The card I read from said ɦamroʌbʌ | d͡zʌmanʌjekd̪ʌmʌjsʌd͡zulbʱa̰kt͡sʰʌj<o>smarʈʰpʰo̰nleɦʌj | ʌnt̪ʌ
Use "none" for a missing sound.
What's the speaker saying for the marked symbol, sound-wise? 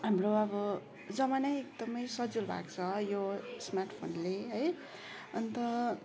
o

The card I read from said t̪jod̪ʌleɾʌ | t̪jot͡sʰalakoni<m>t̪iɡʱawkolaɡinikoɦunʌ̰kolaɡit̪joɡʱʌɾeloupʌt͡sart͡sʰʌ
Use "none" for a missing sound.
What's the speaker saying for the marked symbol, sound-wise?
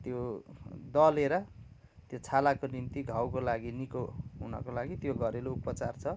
n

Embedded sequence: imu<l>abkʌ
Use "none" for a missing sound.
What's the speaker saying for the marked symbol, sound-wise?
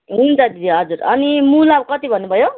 l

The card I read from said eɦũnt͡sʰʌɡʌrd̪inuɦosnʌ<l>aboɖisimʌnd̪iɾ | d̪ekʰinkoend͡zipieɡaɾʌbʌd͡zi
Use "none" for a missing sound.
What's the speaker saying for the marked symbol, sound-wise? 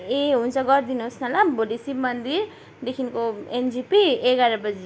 l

